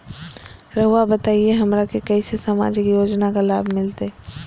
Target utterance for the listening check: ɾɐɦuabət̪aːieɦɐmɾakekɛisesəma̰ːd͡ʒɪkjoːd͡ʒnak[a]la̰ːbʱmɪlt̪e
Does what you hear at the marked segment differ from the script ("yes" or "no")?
no